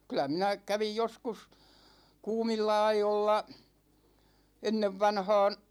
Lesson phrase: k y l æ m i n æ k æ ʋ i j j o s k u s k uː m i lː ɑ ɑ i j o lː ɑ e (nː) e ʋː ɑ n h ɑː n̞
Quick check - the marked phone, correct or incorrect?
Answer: correct